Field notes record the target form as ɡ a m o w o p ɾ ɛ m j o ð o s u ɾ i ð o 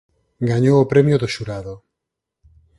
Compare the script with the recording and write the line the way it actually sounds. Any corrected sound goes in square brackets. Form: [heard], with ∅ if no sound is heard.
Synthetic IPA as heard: ɡ a [ɲ] o w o p ɾ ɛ m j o ð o [ʃ] u ɾ [a] ð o